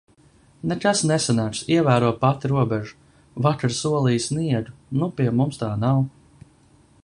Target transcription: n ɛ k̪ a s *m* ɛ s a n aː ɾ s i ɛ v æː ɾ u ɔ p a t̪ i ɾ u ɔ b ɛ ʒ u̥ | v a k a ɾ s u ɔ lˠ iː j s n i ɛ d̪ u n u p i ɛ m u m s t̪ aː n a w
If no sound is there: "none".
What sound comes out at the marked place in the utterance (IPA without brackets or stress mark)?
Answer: n